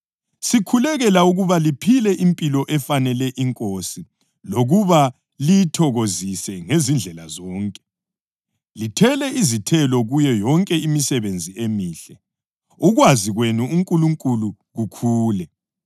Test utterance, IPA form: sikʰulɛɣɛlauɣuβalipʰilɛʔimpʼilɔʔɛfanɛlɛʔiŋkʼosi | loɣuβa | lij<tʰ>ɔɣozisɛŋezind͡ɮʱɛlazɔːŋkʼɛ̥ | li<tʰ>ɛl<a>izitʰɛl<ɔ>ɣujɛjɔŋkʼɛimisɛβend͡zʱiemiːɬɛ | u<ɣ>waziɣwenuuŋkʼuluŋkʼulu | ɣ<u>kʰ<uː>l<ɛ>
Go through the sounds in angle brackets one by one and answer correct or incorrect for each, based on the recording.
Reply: correct, correct, incorrect, correct, correct, correct, correct, correct

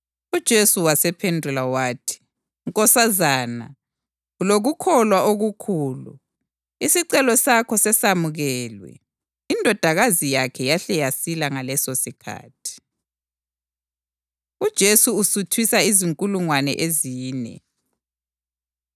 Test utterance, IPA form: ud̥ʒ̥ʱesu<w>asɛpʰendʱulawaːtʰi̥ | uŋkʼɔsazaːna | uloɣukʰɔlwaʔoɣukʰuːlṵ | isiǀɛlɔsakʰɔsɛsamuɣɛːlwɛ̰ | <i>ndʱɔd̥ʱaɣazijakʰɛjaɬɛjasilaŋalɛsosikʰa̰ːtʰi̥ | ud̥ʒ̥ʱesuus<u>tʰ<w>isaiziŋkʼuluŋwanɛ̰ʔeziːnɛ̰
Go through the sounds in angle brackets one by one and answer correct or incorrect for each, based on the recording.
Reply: correct, correct, correct, correct

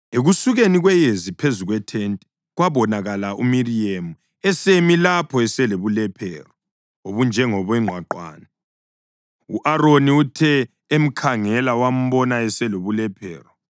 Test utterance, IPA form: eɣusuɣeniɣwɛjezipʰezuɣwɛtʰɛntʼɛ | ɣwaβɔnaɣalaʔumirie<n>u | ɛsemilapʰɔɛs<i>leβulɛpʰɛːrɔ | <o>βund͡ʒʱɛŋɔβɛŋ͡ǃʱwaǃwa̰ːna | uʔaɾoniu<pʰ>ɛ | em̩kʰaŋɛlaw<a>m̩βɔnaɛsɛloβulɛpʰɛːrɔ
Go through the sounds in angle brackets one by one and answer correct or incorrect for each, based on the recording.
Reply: incorrect, incorrect, correct, incorrect, correct

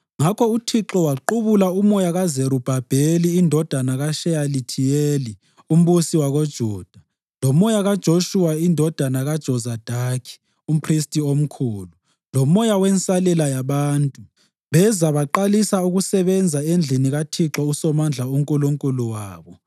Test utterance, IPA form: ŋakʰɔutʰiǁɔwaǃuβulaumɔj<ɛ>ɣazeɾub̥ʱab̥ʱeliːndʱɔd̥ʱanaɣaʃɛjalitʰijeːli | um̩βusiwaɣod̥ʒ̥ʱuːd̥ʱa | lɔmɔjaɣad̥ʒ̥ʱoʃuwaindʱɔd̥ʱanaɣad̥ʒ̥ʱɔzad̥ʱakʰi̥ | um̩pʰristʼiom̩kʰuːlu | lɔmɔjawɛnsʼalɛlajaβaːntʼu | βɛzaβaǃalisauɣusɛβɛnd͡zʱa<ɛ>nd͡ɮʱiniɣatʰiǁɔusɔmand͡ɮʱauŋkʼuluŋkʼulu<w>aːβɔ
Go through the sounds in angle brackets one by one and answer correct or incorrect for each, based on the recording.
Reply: incorrect, incorrect, correct

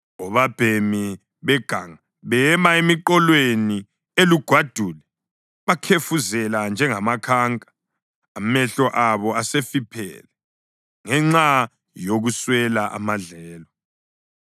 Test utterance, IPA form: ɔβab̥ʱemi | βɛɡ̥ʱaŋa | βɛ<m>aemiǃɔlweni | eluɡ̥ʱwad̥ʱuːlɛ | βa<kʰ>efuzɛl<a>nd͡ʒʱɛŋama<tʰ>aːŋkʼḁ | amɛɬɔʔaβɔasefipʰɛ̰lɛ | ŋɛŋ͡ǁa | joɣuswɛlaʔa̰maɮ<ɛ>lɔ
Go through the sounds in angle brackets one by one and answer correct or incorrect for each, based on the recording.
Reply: correct, correct, correct, incorrect, incorrect

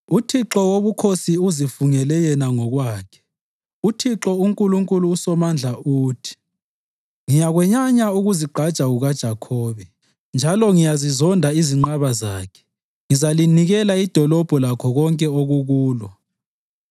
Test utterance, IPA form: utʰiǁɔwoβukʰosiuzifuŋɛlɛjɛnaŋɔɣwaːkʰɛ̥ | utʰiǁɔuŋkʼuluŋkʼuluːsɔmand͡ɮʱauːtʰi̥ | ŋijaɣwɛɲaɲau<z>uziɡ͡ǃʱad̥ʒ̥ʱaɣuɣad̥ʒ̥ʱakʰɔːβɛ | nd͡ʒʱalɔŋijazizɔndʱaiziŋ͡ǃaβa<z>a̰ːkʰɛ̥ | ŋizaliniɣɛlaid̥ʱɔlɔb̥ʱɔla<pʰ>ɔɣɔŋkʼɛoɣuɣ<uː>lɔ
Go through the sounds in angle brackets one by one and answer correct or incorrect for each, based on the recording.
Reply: incorrect, correct, incorrect, correct

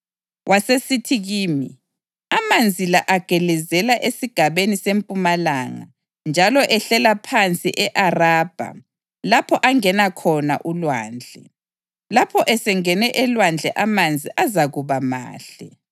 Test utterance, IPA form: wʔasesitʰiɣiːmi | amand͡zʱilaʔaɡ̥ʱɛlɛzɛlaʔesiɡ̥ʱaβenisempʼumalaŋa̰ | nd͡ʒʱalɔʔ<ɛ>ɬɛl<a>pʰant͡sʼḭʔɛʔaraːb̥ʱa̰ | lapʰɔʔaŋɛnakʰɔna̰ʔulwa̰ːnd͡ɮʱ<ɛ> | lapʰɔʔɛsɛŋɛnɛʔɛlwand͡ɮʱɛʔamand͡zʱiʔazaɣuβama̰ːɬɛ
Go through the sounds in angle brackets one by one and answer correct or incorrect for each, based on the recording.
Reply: correct, correct, correct

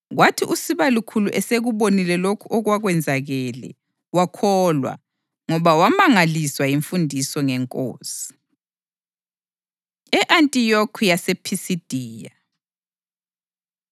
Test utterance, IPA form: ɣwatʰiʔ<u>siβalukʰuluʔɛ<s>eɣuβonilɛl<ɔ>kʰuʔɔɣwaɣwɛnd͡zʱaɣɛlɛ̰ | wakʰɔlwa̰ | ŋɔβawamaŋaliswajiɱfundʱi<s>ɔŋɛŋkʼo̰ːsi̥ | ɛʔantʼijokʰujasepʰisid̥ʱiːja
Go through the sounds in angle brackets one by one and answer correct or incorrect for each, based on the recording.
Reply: correct, correct, incorrect, correct

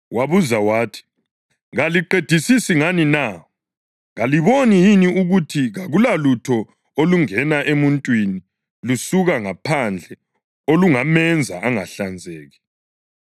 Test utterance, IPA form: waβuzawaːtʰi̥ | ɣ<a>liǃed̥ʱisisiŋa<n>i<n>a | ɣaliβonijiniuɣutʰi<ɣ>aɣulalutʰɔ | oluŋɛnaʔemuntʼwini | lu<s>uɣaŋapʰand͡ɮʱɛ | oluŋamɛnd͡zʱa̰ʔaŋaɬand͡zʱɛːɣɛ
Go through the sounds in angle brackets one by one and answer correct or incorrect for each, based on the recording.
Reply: correct, correct, correct, correct, correct

